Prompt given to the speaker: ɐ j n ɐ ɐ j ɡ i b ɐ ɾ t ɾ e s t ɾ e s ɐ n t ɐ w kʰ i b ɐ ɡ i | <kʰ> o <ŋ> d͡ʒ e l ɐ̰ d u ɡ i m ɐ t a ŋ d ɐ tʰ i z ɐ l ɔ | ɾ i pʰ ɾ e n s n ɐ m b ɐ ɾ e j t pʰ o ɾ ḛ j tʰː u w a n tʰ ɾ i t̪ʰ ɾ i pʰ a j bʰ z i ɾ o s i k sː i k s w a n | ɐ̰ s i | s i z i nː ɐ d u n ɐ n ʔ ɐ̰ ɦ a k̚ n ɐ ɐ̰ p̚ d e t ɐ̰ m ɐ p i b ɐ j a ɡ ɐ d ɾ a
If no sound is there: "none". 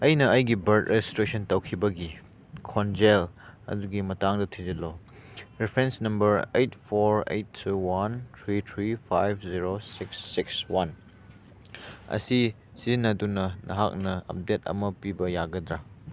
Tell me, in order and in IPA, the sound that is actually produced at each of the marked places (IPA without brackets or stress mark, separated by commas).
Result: kʰ, n